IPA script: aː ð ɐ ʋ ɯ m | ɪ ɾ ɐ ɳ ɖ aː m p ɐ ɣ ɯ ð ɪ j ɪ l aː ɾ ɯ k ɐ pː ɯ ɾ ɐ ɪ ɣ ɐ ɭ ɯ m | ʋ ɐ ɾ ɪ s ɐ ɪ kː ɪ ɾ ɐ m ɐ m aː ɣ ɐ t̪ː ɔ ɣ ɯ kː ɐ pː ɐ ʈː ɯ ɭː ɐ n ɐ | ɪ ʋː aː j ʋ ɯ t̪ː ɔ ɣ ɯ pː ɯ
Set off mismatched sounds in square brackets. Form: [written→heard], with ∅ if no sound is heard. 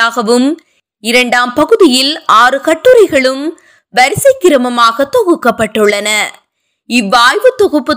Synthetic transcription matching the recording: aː [ð→ɣ] ɐ ʋ ɯ m | ɪ ɾ ɐ ɳ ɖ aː m p ɐ ɣ ɯ ð ɪ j ɪ l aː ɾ ɯ k ɐ [pː→ʈː] ɯ ɾ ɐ ɪ ɣ ɐ ɭ ɯ m | ʋ ɐ ɾ ɪ s ɐ ɪ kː ɪ ɾ ɐ m ɐ m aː ɣ ɐ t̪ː ɔ ɣ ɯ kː ɐ pː ɐ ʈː ɯ ɭː ɐ n ɐ | ɪ ʋː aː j ʋ ɯ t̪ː ɔ ɣ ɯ pː ɯ